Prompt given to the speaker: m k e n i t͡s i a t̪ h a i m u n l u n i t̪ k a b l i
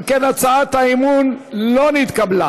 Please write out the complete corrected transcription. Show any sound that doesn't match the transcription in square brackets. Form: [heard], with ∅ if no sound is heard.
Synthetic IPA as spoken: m k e n [a] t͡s [a] a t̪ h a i m u n l [o] n i t̪ k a b l [a]